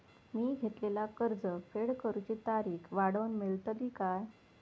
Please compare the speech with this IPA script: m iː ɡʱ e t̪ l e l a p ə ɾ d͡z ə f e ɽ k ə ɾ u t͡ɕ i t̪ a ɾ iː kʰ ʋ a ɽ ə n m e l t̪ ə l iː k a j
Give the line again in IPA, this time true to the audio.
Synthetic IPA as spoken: m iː ɡʱ e t̪ l e l a k ə ɾ d͡z ə f e ɽ k ə ɾ u t͡ɕ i t̪ a ɾ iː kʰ ʋ a ɽ ə n m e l t̪ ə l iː k a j